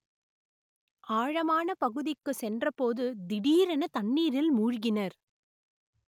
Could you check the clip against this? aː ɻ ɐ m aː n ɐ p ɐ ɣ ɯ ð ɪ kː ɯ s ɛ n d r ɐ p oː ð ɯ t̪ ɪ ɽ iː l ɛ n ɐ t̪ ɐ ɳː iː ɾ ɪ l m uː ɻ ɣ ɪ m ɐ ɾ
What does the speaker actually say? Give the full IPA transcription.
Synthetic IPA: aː ɻ ɐ m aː n ɐ p ɐ ɣ ɯ ð ɪ kː ɯ s ɛ n d r ɐ p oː ð ɯ d̪ ɪ ɽ iː ɾ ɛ n ɐ t̪ ɐ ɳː iː ɾ ɪ l m uː ɻ ɣ ɪ n ɐ ɾ